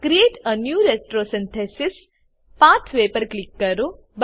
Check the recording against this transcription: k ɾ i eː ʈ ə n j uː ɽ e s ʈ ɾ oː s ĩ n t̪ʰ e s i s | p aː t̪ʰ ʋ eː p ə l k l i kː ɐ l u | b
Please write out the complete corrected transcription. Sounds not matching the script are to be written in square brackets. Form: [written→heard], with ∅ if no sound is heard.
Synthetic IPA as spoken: k ɾ i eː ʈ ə n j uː [ɽ→ɾ] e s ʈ ɾ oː s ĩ n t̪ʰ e s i s | p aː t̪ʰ ʋ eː p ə [l→ɾ] k l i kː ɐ [l→ɾ] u | b

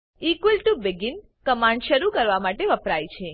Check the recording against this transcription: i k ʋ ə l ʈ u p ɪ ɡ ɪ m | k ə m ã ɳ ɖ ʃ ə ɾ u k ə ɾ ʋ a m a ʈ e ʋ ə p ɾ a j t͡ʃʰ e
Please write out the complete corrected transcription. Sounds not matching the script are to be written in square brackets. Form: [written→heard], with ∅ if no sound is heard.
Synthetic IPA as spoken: i k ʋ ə l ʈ u [p→b] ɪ ɡ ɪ [m→n] | k ə m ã ɳ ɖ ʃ ə ɾ u k ə ɾ ʋ a m a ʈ e ʋ ə p ɾ a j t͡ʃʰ e

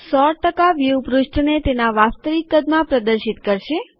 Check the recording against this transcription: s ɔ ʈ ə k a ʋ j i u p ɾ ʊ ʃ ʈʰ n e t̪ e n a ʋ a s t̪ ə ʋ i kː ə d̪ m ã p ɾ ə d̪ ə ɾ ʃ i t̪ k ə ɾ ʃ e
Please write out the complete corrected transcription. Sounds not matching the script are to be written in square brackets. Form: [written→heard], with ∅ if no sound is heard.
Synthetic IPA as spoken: s ɔ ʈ ə k a ʋ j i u p ɾ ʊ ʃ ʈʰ n e t̪ e n a ʋ a s t̪ ə ʋ i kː ə d̪ m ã p ɾ ə d̪ ə ɾ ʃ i t̪ k ə ɾ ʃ e

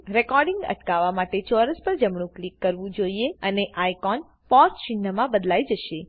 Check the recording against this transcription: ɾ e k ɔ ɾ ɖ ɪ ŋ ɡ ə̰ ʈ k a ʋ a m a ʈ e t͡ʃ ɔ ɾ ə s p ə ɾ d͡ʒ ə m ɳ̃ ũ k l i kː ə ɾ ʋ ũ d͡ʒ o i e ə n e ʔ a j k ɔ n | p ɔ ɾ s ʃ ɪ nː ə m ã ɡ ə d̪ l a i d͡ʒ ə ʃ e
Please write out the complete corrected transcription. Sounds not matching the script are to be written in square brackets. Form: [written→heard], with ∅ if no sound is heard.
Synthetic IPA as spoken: ɾ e k ɔ ɾ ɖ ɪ ŋ ɡ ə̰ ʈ k a ʋ a m a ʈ e t͡ʃ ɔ ɾ ə s p ə ɾ d͡ʒ ə m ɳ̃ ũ k l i kː ə ɾ ʋ ũ d͡ʒ o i e ə n e ʔ a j k ɔ n | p ɔ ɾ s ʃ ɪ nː ə m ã [ɡ→b] ə d̪ l a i d͡ʒ ə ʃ e

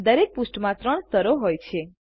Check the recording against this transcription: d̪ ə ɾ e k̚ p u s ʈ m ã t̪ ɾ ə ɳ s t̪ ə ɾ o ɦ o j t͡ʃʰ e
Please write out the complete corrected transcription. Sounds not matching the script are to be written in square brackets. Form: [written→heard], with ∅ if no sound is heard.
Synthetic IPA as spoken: d̪ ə ɾ e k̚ p u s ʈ m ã t̪ ɾ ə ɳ s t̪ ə ɾ o ɦ o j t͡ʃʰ e

